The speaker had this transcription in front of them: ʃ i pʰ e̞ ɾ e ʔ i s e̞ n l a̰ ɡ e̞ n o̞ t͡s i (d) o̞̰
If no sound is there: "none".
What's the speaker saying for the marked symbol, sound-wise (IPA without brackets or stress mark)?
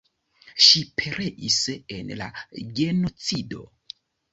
d